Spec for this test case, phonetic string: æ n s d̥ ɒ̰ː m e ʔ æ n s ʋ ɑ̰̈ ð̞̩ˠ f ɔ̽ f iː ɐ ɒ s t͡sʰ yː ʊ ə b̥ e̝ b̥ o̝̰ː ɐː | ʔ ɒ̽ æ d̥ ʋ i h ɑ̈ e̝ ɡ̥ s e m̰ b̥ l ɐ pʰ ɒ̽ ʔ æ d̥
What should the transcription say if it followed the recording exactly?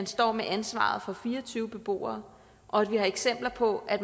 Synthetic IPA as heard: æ n s d̥ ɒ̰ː m e ʔ æ n s ʋ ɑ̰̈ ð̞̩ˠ f ɒ̽ f iː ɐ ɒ t͡sʰ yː ʊ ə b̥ e̝ b̥ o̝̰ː ɐː | ʔ ɒ̽ æ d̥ ʋ i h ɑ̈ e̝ ɡ̥ s e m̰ b̥ l ɐ pʰ ɒ̽ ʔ æ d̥